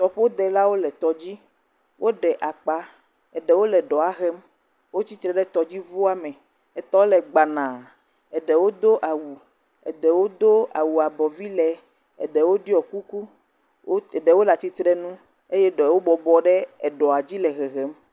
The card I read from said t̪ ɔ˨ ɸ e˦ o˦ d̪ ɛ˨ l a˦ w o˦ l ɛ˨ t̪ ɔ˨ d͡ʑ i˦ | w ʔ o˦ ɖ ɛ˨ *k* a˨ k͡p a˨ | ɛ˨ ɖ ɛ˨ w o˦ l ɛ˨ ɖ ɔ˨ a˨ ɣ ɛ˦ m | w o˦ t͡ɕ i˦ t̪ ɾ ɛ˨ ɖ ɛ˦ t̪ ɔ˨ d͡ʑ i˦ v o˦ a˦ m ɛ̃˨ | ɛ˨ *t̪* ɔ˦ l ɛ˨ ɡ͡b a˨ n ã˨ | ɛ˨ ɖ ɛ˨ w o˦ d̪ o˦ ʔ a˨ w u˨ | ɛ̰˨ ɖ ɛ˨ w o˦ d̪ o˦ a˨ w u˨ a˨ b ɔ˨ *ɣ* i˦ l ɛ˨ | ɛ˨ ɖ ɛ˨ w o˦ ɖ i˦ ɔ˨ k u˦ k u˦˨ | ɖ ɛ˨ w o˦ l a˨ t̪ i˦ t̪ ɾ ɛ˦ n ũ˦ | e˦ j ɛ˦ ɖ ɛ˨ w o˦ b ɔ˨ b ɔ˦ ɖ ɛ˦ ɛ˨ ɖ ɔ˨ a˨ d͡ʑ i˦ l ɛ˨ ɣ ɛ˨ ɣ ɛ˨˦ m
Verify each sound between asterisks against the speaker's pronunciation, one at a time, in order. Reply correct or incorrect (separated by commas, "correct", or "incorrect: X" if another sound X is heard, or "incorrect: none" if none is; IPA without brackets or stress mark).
incorrect: ʔ, correct, incorrect: v